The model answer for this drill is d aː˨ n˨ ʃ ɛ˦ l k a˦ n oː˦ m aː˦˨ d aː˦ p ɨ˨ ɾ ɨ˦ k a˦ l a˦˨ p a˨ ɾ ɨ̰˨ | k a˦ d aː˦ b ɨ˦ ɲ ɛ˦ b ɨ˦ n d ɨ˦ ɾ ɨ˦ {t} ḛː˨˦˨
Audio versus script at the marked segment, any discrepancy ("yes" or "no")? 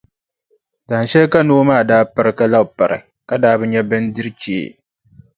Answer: yes